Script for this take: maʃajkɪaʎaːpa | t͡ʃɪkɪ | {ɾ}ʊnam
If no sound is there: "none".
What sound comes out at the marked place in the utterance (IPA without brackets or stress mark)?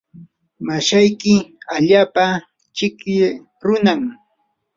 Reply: ɾ